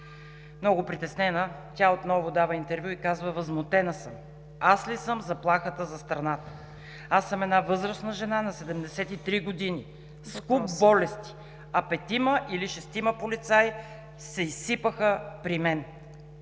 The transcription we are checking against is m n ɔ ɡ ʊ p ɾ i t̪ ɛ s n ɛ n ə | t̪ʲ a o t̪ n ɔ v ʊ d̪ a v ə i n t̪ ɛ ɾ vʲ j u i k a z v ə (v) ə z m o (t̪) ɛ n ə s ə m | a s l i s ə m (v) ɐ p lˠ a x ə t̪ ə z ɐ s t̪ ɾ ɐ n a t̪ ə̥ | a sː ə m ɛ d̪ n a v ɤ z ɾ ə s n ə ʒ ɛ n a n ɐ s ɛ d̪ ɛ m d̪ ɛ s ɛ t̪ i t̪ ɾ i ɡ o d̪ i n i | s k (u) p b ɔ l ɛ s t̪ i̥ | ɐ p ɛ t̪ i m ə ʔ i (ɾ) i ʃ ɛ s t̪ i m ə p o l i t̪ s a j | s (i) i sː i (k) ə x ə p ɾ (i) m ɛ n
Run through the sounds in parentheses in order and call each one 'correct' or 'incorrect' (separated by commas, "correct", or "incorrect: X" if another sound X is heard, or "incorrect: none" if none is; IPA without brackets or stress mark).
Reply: correct, correct, incorrect: z, correct, incorrect: l, incorrect: ɛ, incorrect: p, correct